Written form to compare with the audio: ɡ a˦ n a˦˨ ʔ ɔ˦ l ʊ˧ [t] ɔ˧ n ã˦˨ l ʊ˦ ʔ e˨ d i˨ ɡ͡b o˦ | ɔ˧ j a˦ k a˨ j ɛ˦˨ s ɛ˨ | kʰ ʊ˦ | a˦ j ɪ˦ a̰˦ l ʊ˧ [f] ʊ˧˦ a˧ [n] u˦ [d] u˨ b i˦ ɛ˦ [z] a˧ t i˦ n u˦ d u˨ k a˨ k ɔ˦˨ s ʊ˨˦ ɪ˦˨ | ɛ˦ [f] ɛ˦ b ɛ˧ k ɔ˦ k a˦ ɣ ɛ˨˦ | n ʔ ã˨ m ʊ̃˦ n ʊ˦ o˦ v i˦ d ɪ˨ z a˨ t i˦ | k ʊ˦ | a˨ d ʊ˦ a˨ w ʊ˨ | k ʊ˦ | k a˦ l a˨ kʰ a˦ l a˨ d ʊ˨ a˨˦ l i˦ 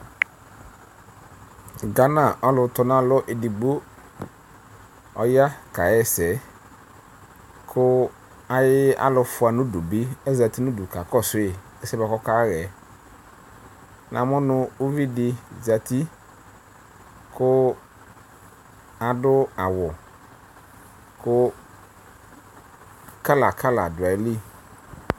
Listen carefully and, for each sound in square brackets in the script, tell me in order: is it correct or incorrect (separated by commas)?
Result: correct, correct, correct, correct, correct, incorrect